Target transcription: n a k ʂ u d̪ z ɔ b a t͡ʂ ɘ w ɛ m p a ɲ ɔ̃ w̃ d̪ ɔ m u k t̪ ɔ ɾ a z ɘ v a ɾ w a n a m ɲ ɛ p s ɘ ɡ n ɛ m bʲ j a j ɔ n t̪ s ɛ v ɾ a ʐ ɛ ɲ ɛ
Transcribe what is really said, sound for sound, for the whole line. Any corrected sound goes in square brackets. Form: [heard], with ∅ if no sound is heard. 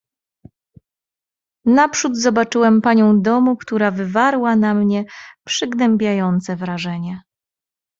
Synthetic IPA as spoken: n a [p] ʂ u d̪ z ɔ b a t͡ʂ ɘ w ɛ m p a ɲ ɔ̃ w̃ d̪ ɔ m u k t̪ [u] ɾ a [v] ɘ v a ɾ w a n a m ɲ ɛ p [ʂ] ɘ ɡ n ɛ m bʲ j a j ɔ n t̪ s ɛ v ɾ a ʐ ɛ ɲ ɛ